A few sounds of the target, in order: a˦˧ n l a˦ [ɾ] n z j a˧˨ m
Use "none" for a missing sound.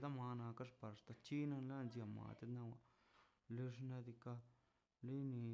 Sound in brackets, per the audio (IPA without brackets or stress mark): none